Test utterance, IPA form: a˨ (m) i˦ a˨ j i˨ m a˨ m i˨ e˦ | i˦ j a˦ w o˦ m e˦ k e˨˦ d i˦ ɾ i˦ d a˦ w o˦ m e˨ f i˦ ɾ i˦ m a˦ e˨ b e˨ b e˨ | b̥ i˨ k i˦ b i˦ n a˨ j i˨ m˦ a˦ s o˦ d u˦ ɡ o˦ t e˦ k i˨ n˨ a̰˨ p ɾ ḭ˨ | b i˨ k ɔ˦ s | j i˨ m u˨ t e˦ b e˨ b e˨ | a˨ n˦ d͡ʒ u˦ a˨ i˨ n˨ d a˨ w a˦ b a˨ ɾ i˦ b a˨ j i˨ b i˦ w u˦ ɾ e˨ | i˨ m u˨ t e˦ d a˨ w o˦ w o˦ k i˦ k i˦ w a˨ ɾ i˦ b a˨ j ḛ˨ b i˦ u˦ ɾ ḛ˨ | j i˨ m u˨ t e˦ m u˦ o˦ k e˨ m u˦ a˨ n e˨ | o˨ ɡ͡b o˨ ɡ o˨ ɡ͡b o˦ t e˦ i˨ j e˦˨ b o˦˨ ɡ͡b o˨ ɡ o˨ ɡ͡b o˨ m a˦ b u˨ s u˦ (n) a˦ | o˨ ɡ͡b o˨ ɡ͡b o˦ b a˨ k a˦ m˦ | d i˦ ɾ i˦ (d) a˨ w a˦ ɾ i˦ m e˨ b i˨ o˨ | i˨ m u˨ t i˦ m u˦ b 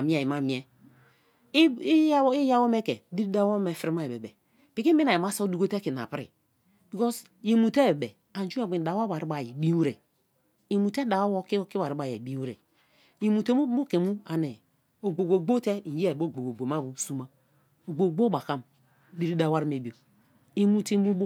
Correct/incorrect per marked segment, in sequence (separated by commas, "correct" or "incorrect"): correct, incorrect, correct